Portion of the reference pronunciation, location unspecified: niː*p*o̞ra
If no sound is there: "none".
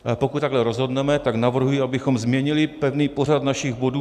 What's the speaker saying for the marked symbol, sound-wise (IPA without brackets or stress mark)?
p